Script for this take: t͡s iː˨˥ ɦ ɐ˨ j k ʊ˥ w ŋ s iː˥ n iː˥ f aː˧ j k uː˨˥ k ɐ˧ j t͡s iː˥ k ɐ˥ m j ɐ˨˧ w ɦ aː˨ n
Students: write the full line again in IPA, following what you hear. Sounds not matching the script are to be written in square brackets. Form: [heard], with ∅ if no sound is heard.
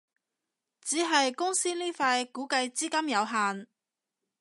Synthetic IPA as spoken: t͡s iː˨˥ ɦ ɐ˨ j k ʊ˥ [∅] ŋ s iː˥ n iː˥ f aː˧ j k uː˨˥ k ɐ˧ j t͡s iː˥ k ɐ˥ m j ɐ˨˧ w ɦ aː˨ n